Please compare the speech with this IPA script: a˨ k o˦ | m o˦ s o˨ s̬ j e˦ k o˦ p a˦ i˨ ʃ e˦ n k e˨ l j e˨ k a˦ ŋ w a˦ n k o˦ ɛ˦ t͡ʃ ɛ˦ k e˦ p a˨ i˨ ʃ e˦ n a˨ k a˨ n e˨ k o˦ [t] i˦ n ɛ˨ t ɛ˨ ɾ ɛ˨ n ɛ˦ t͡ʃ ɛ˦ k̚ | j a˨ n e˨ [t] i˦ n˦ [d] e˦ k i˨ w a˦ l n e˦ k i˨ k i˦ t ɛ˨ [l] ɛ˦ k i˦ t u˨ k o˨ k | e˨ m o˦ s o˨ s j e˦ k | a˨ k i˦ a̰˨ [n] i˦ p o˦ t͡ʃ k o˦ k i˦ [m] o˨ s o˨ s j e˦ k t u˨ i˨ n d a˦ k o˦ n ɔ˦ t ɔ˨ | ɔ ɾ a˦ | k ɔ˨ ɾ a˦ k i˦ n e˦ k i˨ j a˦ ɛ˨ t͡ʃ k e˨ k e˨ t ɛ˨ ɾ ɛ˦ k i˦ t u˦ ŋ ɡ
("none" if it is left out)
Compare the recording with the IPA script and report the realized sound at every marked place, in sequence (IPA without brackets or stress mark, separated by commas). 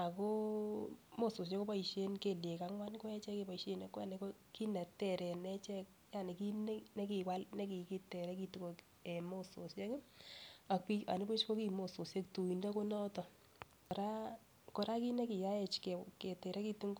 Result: k, k, n, ɾ, n, m